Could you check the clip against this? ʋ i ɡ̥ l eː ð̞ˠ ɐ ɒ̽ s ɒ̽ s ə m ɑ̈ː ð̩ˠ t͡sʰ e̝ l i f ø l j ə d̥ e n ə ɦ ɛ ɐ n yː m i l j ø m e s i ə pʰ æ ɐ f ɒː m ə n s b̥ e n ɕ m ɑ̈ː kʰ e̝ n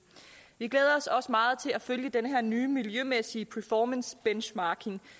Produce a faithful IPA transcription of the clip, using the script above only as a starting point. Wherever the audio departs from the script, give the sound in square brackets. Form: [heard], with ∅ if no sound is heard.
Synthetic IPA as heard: ʋ i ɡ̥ l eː ð̞ˠ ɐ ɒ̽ s ɒ̽ s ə m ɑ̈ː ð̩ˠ t͡sʰ e̝ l [æ] f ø l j ə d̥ e n ə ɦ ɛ ɐ n yː m i l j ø m e s i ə pʰ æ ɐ f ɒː m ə n s b̥ e n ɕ m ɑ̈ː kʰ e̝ [ŋ]